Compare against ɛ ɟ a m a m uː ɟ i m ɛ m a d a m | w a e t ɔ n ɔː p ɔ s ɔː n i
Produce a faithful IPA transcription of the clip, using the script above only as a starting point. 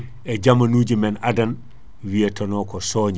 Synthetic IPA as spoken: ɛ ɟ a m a n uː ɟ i m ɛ n a d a n | w i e t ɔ n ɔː k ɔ s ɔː ɲ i